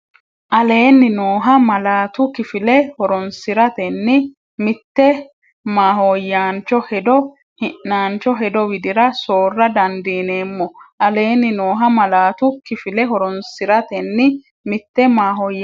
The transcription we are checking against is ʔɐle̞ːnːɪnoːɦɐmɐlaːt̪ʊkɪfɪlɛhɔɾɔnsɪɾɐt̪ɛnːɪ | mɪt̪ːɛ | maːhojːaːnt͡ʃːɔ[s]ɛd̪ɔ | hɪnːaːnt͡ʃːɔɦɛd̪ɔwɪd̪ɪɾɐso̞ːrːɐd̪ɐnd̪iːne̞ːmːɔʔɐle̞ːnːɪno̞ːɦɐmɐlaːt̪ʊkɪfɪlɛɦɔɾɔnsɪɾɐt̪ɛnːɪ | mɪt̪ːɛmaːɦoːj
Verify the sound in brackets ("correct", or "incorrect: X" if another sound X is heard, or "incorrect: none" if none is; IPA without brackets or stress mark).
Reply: incorrect: h